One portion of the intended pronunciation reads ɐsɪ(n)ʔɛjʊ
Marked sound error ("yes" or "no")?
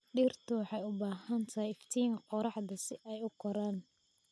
yes